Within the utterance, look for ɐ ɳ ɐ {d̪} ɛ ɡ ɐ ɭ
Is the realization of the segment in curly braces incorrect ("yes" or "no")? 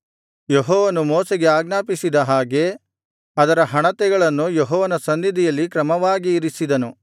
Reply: yes